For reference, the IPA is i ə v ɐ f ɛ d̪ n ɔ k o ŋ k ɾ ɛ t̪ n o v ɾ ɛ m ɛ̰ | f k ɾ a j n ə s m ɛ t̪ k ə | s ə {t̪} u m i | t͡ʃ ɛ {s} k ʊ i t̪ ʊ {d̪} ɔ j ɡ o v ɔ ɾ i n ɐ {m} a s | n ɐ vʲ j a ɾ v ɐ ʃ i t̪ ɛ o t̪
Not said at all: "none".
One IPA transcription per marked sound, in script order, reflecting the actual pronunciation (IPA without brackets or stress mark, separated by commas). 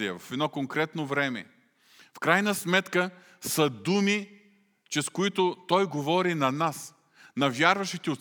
d̪, s, t̪, n